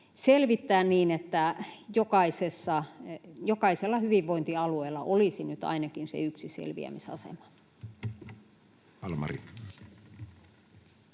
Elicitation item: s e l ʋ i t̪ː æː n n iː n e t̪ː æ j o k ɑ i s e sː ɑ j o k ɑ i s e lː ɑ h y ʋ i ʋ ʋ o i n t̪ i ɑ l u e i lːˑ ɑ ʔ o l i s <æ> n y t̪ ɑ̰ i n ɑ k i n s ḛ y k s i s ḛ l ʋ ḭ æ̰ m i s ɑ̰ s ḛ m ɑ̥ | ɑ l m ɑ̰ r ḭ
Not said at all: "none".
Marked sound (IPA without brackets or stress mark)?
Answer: i